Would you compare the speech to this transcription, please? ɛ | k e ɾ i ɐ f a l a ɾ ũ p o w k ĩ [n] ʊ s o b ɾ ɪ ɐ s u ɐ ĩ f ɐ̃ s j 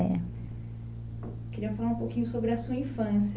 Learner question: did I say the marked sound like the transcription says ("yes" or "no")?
no